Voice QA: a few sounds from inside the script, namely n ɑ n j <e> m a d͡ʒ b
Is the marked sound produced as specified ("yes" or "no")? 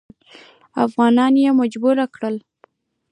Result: yes